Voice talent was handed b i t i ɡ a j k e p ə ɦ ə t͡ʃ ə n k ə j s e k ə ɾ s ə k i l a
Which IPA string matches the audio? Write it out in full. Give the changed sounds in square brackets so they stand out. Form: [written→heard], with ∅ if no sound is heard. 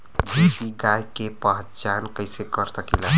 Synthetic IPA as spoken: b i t i ɡ a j k e p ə ɦ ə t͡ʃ [ə→a] n k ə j s e k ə ɾ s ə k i l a